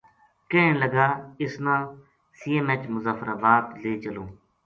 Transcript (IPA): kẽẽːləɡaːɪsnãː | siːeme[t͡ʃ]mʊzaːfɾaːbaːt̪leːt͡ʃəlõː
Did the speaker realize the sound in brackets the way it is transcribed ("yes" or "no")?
yes